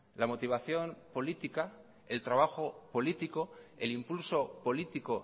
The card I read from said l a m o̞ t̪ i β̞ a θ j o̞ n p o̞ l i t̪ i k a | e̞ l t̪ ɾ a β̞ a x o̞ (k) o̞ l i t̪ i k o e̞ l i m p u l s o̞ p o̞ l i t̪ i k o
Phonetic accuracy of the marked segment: incorrect: p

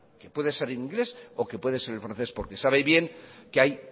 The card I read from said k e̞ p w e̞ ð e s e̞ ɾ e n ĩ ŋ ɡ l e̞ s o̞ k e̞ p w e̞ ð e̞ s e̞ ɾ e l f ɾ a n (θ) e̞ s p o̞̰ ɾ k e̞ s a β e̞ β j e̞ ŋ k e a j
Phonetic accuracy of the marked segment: correct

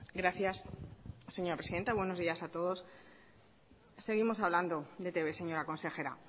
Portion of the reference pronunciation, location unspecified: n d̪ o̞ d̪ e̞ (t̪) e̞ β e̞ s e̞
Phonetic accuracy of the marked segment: correct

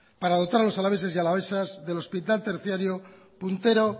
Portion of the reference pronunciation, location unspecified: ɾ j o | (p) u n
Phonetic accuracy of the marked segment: correct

